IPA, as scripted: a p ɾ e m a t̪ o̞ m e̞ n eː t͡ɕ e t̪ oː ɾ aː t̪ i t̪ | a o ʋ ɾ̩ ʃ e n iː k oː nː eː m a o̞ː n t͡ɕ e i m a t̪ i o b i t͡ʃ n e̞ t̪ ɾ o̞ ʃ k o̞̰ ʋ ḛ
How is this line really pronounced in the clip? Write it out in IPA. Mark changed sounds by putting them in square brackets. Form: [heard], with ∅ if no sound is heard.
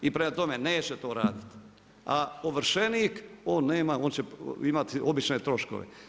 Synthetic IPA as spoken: [i] p ɾ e m a t̪ o̞ m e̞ n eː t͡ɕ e t̪ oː ɾ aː [d̪] i t̪ | a o ʋ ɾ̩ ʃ e n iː k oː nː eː m a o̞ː n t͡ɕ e i m a t̪ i o b i t͡ʃ n e̞ t̪ ɾ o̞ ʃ k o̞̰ ʋ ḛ